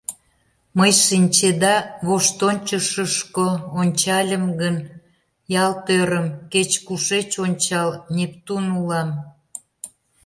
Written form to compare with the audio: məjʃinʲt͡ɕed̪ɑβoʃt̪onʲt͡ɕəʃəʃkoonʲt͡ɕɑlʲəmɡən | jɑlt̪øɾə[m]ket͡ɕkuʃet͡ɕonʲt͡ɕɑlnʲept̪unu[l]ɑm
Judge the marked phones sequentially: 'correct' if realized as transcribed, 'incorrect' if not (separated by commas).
correct, correct